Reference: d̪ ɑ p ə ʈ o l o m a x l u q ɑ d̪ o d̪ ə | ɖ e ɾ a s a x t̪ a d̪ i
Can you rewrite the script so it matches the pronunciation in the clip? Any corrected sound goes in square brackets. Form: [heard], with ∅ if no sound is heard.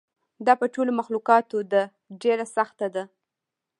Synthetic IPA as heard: d̪ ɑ p ə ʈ o l o m a x l u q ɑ [t̪] o d̪ ə | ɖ e ɾ a s a x t̪ a d̪ [a]